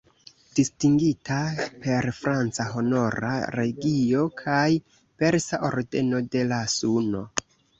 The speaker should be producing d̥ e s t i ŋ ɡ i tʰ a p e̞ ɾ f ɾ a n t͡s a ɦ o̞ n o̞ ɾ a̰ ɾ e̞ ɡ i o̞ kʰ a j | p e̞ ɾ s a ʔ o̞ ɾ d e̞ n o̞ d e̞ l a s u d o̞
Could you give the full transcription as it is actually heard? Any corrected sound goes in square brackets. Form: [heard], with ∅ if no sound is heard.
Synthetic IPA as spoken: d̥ [i] s t i ŋ ɡ i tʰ a p e̞ ɾ f ɾ a n t͡s a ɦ o̞ n o̞ ɾ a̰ ɾ e̞ ɡ i o̞ kʰ a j | p e̞ ɾ s a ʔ o̞ ɾ d e̞ n o̞ d e̞ l a s u [n] o̞